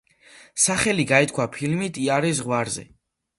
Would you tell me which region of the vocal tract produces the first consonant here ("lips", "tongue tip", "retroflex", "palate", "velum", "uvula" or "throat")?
tongue tip